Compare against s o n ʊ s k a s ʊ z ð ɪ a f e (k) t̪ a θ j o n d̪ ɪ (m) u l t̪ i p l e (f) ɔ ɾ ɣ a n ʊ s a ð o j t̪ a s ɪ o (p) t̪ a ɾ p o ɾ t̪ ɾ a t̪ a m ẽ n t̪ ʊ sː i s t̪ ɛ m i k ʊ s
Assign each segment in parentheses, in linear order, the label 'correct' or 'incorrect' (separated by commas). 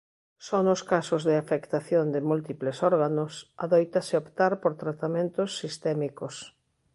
correct, correct, incorrect, correct